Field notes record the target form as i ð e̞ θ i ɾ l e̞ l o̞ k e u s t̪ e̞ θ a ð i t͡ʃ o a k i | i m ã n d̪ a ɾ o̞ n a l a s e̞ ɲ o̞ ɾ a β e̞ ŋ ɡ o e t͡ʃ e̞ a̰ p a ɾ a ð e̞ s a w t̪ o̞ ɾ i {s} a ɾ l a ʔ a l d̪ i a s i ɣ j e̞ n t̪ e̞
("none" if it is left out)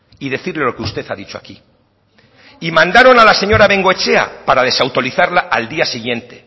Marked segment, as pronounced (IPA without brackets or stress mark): θ